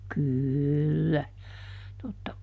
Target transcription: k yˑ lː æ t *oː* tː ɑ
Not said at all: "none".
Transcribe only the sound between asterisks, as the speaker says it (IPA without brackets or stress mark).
o